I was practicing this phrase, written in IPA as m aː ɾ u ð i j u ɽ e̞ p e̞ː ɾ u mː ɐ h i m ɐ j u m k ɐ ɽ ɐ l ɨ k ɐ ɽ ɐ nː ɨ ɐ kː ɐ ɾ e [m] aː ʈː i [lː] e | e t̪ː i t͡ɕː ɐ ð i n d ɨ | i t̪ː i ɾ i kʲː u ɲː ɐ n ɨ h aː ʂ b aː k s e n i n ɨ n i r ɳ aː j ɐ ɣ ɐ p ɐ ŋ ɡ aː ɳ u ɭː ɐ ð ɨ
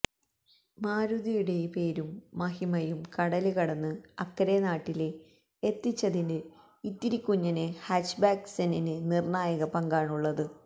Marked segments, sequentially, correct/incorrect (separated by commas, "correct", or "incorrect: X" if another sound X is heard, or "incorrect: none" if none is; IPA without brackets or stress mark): incorrect: n, incorrect: l